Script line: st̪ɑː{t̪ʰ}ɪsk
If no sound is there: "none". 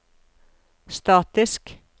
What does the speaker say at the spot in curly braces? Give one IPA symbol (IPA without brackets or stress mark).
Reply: t̪